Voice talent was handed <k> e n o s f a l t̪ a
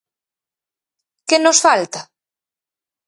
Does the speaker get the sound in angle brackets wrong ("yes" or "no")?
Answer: no